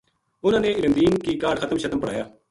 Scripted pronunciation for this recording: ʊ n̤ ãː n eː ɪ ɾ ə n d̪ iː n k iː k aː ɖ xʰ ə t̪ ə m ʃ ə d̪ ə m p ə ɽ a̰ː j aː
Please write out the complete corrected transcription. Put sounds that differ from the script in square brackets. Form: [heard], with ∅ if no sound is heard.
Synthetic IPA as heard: ʊ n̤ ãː n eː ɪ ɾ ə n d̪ iː n k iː k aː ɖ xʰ ə t̪ ə m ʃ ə [t̪] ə m p ə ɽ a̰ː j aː